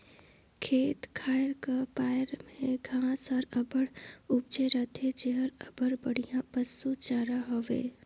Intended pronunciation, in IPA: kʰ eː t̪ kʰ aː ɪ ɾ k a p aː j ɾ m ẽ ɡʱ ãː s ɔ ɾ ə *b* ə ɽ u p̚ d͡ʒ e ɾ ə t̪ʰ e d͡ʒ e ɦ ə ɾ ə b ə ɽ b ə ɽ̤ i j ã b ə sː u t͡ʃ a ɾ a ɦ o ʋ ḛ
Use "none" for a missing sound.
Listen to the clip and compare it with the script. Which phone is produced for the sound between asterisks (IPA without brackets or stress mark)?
b